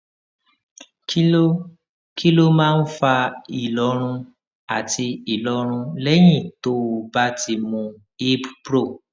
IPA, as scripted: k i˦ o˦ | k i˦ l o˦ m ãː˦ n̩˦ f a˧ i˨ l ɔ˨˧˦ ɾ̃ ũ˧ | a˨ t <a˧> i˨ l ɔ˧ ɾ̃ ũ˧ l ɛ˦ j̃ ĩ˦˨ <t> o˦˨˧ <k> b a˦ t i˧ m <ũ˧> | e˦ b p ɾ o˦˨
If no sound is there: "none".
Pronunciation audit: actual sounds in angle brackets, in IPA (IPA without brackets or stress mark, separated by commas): i˧, t, none, ũ˧